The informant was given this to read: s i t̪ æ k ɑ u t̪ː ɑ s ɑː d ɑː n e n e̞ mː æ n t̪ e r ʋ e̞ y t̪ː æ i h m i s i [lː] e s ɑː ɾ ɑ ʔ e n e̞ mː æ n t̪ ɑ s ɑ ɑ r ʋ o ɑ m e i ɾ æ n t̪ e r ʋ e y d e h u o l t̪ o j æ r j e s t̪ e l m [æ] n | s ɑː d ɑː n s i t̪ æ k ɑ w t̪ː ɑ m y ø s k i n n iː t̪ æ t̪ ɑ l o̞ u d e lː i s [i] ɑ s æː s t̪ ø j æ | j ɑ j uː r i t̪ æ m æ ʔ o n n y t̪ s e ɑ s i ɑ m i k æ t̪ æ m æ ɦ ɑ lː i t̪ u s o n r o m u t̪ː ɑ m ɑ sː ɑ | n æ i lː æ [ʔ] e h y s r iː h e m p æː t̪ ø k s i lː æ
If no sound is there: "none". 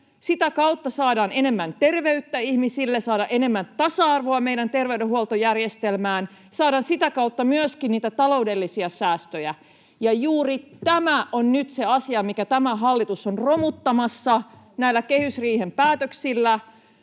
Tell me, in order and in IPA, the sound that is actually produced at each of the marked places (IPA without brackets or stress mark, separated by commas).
lː, æː, i, k